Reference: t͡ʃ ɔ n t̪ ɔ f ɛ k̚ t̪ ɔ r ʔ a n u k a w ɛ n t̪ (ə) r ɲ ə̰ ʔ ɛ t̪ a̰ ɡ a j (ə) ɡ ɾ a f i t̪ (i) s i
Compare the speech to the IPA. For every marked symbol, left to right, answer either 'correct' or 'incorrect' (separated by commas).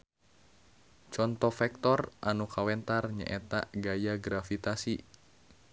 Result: incorrect, incorrect, incorrect